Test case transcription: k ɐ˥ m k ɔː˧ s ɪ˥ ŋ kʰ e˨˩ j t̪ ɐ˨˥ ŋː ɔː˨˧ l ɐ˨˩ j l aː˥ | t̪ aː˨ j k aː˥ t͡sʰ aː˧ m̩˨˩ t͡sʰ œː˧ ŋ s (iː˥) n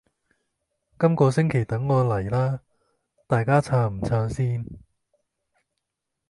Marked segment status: correct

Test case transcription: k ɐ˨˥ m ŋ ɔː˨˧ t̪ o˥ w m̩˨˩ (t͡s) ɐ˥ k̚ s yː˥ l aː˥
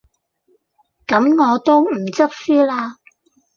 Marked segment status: correct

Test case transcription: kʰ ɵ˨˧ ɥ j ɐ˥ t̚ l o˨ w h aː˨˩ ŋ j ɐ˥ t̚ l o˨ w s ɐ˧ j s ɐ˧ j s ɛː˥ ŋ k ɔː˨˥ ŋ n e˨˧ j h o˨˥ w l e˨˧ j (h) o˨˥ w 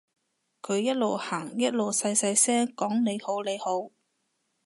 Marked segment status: correct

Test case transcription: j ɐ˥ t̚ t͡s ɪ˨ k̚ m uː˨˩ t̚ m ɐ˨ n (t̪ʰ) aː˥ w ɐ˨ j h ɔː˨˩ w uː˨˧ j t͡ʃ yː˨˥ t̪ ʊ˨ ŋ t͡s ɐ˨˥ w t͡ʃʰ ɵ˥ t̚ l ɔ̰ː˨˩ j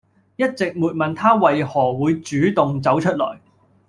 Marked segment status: correct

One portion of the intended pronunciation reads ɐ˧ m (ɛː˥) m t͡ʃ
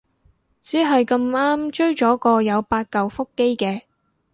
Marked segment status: incorrect: aː˥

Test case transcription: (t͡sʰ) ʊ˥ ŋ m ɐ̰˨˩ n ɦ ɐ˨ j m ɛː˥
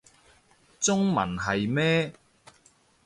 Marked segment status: incorrect: t͡s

